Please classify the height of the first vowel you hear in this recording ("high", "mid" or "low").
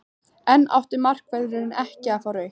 mid